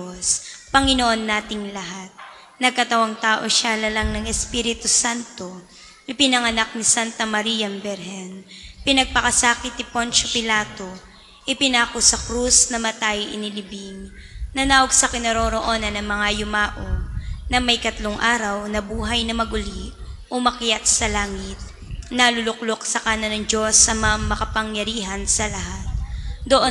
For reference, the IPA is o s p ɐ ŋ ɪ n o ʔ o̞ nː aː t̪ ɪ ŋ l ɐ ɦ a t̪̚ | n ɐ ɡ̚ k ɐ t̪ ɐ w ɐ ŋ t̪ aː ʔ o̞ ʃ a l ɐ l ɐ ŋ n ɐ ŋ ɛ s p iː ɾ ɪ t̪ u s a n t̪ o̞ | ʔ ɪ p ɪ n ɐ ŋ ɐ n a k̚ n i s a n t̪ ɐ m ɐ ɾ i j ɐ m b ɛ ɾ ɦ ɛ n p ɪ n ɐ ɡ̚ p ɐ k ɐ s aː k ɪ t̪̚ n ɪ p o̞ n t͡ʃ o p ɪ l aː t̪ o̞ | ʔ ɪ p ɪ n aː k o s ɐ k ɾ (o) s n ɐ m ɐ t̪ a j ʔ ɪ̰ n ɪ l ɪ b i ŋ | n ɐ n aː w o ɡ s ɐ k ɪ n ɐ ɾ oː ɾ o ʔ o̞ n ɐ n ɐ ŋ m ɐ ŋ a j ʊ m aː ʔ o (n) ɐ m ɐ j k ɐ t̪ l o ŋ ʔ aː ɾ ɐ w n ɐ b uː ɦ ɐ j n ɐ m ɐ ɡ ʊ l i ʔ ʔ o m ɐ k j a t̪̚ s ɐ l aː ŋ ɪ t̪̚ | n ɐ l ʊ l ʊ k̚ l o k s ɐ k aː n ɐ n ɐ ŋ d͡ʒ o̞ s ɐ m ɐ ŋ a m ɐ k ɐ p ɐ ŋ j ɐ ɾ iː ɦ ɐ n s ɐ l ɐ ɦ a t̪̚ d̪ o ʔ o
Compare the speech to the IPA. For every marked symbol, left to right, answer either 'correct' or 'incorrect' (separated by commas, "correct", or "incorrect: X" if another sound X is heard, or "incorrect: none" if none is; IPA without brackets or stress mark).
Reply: incorrect: u, correct